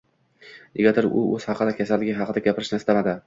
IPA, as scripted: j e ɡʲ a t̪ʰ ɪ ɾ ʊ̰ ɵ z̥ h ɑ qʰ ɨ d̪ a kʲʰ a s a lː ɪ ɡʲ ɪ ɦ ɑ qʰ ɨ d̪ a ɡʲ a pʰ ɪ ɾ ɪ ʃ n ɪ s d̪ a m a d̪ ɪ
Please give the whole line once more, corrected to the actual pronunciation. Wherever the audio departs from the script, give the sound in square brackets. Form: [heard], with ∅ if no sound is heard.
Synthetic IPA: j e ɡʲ a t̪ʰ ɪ ɾ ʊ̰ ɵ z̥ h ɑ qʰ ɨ d̪ a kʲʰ a s a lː ɪ ɡʲ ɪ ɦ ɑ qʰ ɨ d̪ a ɡʲ a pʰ ɪ ɾ ɪ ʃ n ɪ s [t̪] a m a d̪ ɪ